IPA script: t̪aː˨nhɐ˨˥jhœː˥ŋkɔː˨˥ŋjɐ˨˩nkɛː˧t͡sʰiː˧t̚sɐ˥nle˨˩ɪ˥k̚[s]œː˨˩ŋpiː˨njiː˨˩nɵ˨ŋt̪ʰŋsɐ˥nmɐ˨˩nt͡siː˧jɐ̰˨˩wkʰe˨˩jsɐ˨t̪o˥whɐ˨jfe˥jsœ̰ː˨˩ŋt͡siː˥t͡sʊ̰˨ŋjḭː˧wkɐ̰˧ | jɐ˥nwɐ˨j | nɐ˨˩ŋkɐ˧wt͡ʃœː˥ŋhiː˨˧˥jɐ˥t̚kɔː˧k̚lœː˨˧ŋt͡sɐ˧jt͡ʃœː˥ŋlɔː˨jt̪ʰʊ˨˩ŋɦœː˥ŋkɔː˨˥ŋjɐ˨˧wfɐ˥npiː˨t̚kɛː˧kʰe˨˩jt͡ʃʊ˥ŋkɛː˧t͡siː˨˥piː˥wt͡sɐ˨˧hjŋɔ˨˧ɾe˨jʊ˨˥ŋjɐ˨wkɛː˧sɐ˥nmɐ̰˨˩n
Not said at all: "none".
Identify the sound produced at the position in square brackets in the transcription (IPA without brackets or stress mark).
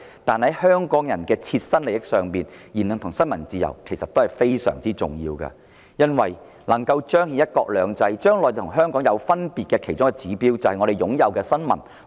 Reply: s